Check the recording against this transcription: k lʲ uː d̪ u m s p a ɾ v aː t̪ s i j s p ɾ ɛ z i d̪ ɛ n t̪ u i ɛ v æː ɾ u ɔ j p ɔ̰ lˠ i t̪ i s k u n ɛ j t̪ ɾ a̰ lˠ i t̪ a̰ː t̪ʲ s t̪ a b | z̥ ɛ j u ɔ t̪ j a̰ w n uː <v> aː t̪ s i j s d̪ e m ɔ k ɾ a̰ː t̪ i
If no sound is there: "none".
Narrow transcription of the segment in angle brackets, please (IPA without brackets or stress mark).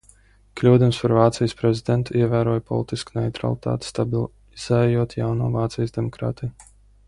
v